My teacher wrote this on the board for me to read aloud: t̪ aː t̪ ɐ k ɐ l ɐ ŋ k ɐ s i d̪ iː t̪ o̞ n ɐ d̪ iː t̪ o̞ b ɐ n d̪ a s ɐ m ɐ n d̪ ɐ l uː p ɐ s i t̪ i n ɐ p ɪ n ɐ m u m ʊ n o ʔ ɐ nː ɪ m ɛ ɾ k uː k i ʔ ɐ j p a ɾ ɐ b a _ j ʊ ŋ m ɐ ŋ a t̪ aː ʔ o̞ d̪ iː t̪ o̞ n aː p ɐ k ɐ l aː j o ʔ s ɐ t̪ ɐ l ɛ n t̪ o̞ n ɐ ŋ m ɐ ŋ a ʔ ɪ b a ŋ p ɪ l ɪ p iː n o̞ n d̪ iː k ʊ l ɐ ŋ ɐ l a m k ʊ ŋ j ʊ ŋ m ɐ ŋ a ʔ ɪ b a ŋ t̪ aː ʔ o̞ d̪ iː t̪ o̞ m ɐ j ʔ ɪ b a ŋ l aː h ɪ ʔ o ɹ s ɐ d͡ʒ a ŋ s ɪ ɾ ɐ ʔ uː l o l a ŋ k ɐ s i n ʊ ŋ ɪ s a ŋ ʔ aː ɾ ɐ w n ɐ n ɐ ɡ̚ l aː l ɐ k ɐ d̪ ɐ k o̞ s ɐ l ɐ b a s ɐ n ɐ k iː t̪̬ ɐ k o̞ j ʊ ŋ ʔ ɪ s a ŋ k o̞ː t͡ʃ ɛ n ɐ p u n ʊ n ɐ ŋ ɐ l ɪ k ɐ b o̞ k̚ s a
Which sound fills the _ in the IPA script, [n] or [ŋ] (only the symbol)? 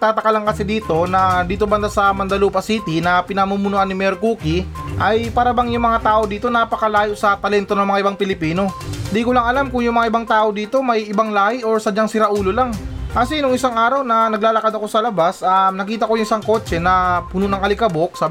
ŋ